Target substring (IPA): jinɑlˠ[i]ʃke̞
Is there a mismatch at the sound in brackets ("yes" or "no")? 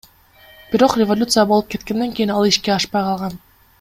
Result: no